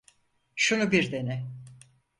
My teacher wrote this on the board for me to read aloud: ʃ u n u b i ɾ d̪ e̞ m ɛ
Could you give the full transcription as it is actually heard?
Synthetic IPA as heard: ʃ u n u b i ɾ d̪ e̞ n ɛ